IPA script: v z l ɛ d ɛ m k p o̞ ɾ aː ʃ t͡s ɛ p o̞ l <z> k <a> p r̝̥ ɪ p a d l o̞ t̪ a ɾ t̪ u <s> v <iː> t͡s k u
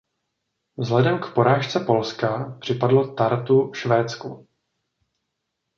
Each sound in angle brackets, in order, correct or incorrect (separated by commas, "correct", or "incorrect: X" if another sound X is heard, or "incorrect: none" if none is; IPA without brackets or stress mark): incorrect: s, correct, incorrect: ʃ, incorrect: ɛː